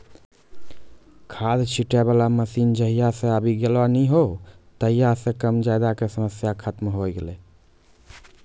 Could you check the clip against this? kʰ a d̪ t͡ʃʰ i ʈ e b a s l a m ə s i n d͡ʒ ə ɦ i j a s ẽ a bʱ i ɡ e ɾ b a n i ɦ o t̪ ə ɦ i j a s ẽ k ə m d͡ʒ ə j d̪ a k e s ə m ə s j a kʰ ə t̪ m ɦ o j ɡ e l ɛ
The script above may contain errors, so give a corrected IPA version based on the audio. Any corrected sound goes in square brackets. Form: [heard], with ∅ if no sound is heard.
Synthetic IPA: kʰ a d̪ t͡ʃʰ i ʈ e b a [∅] l a m ə s i n d͡ʒ ə ɦ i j a s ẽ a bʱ i ɡ e [l] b a n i ɦ o t̪ ə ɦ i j a s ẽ k ə m d͡ʒ [a] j d̪ a k e s ə m ə s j a kʰ ə t̪ m ɦ o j ɡ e l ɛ